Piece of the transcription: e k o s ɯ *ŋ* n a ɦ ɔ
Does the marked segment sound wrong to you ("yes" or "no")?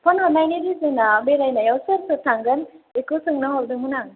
no